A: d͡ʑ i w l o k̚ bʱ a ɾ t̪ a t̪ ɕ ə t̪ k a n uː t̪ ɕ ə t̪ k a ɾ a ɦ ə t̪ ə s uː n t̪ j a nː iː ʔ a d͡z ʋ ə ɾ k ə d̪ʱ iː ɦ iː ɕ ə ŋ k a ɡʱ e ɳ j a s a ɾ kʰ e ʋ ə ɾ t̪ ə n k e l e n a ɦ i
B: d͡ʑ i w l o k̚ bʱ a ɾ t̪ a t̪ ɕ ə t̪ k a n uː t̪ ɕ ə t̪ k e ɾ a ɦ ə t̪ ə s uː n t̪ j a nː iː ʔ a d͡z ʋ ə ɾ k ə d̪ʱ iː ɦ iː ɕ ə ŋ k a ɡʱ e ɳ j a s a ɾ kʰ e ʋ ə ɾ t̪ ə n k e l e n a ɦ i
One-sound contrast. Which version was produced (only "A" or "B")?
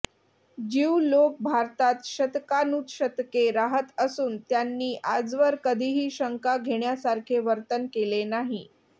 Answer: B